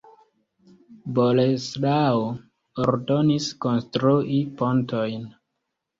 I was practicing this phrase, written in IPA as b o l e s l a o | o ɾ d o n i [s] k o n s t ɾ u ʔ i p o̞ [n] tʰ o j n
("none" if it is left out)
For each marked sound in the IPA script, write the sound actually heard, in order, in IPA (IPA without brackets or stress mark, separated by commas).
s, n